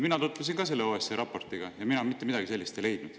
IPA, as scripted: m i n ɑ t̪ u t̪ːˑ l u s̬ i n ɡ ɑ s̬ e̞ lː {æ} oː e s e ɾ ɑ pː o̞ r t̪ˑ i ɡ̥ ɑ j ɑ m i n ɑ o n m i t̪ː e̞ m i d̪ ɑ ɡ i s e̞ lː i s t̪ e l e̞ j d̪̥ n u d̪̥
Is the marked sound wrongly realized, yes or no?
yes